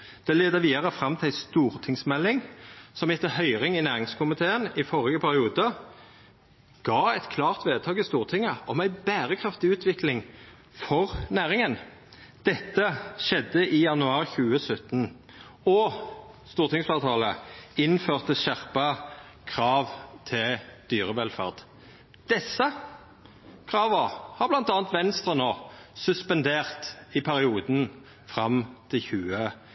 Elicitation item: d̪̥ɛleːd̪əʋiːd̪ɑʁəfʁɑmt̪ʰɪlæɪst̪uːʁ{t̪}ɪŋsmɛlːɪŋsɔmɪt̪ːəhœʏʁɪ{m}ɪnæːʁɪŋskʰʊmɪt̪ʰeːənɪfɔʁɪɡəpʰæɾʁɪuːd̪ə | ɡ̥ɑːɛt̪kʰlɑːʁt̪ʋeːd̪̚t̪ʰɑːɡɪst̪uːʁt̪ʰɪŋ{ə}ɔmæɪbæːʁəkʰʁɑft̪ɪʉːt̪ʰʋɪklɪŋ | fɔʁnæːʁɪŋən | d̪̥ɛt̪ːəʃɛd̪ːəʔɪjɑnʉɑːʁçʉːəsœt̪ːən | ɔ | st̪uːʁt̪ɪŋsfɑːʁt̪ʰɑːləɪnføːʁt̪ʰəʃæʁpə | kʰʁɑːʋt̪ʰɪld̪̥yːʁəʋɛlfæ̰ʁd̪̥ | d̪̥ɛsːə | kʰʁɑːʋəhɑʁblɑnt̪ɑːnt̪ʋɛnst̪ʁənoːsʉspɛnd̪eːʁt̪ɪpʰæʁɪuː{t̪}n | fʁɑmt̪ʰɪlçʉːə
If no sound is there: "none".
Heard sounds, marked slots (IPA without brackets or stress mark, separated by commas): t̪ʰ, ŋ, ə, d̪